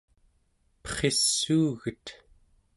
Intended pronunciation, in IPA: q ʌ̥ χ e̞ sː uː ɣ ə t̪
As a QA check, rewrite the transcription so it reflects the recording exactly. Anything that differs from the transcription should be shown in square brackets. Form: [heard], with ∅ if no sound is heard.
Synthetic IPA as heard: [p] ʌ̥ χ e̞ sː uː ɣ ə t̪